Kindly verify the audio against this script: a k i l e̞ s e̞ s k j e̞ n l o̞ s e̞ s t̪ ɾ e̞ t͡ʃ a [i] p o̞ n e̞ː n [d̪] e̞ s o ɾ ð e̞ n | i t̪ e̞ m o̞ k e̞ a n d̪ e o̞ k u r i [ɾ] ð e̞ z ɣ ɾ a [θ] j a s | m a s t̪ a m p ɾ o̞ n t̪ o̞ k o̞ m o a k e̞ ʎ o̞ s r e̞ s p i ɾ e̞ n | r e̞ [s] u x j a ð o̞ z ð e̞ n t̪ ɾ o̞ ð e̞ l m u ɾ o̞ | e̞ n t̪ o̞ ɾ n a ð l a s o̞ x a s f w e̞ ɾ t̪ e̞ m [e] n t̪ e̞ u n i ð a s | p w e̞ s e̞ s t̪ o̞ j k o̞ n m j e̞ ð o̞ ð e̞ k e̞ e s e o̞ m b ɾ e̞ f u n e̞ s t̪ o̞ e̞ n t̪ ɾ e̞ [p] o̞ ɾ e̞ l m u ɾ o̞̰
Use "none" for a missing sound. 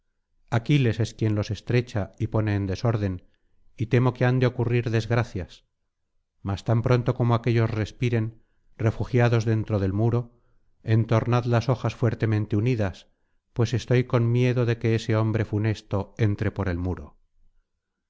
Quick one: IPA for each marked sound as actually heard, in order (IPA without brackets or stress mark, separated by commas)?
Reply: i, d̪, ɾ, θ, f, ẽ, p